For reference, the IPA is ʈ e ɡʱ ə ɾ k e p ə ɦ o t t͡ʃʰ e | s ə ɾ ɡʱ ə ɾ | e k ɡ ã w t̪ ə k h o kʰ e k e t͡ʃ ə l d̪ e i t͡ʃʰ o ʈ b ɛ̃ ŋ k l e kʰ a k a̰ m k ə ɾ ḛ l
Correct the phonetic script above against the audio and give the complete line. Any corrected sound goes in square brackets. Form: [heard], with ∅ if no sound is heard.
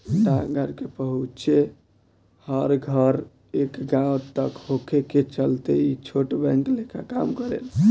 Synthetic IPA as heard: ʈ [a] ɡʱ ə ɾ k e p ə ɦ [u] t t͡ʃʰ e | [h] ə ɾ ɡʱ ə ɾ | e k ɡ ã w t̪ ə k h o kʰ e k e t͡ʃ ə l [t̪] e i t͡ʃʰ o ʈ b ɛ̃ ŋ k l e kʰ a k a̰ m k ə ɾ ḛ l

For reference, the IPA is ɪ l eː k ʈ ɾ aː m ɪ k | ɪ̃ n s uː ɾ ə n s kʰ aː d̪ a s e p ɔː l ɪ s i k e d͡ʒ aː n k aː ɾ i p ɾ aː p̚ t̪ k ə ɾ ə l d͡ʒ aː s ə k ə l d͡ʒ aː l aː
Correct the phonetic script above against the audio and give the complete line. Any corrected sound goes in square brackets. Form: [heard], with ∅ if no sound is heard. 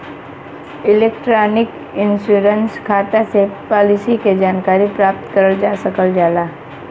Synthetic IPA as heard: ɪ l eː k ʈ ɾ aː [n] ɪ k | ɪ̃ n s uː ɾ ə n s kʰ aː [t̪] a s e p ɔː l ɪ s i k e d͡ʒ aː n k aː ɾ i p ɾ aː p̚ t̪ k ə ɾ ə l d͡ʒ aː s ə k ə l d͡ʒ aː l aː

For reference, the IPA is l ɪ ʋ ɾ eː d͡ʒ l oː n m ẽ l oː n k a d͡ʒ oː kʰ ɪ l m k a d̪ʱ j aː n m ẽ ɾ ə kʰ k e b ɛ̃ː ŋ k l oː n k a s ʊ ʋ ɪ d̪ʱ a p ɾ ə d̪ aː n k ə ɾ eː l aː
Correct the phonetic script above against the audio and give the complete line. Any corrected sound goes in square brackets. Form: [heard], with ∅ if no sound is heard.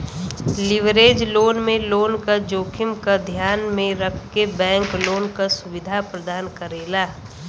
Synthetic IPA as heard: l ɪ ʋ ɾ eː d͡ʒ l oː n m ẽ l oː n k a d͡ʒ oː kʰ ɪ [∅] m k a d̪ʱ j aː n m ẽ ɾ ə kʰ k e b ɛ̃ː ŋ k l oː n k a s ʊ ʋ ɪ d̪ʱ a p ɾ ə d̪ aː n k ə ɾ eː l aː

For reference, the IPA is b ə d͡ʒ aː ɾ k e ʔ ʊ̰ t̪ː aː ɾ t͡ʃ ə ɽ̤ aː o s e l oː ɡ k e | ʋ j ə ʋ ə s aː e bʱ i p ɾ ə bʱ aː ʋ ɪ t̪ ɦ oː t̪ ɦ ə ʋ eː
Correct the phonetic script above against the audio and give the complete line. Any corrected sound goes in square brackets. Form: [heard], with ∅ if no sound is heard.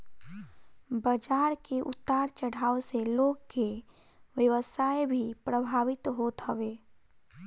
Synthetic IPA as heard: b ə d͡ʒ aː ɾ k e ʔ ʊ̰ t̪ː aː ɾ t͡ʃ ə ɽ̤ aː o s e l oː ɡ k e | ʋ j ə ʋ ə s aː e bʱ i p ɾ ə bʱ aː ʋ ɪ t̪ ɦ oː t̪ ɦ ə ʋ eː

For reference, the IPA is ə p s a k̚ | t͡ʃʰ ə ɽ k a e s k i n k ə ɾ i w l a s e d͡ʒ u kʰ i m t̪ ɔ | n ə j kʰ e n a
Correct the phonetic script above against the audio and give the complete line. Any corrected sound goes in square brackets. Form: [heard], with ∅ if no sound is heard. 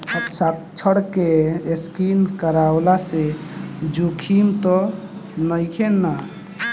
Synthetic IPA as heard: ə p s a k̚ | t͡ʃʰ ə ɽ k [e] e s k i n k ə ɾ [a] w l a s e d͡ʒ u kʰ i m t̪ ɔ | n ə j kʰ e n a

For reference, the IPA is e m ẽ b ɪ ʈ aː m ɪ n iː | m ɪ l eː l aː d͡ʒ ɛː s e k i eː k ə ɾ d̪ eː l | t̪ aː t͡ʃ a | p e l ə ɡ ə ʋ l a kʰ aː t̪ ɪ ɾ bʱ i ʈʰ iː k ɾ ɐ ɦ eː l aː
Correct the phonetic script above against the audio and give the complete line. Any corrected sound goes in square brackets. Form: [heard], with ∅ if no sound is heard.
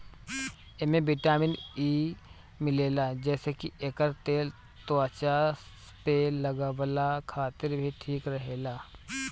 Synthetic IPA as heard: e m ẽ b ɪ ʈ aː m ɪ n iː | m ɪ l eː l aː d͡ʒ ɛː s e k i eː k ə ɾ [t̪] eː l | t̪ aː t͡ʃ a | p e l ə ɡ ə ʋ l a kʰ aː t̪ ɪ ɾ bʱ i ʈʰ iː k ɾ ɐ ɦ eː l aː

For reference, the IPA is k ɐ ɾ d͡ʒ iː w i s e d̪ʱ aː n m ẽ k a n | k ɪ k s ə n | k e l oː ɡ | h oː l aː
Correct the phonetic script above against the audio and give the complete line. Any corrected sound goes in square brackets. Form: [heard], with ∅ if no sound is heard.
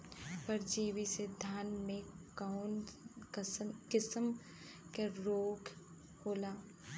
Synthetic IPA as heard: [p] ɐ ɾ d͡ʒ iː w i s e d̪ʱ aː n m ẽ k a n | k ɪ [∅] s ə [m] | k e [ɾ] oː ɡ | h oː l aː

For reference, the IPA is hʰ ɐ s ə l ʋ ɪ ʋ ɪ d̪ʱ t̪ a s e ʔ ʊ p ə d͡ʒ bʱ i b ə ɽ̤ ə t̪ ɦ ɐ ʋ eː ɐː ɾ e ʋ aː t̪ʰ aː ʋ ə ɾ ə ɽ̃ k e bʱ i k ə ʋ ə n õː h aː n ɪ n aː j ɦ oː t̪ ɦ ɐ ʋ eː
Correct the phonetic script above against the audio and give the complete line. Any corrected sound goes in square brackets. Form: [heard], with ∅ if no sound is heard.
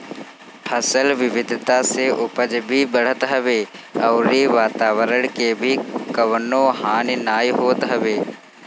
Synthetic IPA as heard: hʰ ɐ s ə l ʋ ɪ ʋ ɪ d̪ʱ t̪ a s e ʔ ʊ p ə d͡ʒ bʱ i b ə ɽ̤ ə t̪ ɦ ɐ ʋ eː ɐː ɾ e ʋ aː [t̪] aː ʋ ə ɾ ə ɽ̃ k e bʱ i k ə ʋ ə n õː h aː n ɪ n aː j ɦ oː t̪ ɦ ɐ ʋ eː

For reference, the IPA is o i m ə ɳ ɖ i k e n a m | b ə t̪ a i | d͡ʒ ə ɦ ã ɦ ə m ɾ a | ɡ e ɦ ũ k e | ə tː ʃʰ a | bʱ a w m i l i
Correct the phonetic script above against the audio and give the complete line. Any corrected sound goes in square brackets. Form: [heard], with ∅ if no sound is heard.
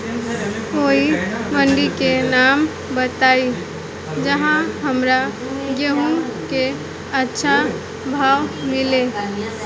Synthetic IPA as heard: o i m ə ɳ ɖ i k e n a m | b ə t̪ a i | d͡ʒ ə ɦ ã ɦ ə m ɾ a | ɡ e ɦ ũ k e | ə tː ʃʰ a | bʱ a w m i l [e]

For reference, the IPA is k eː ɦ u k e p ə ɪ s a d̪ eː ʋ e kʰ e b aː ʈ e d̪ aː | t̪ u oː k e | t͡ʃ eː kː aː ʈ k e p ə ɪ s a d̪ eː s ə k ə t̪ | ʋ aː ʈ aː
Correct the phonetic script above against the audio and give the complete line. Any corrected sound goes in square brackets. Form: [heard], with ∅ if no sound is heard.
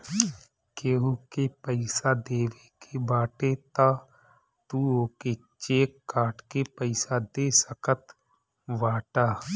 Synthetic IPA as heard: k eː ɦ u k e p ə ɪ s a d̪ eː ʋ e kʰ e b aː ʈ e [t̪] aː | t̪ u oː k e | t͡ʃ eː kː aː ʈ k e p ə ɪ s a d̪ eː s ə k ə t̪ | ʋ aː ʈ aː

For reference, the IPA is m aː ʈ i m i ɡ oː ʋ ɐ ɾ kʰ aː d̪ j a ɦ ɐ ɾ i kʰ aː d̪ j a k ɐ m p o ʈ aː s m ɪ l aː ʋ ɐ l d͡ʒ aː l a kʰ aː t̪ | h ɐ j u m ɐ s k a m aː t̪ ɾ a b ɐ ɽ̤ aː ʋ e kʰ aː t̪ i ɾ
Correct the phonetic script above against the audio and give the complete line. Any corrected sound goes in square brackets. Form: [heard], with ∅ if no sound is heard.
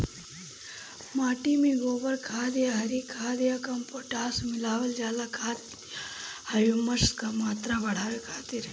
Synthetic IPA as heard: m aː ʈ i m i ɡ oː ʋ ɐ ɾ kʰ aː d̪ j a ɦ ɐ ɾ i kʰ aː d̪ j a k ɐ m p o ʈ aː s m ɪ l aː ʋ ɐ l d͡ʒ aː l a kʰ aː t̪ | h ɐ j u m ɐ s k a m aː t̪ ɾ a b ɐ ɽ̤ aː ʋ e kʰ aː t̪ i ɾ

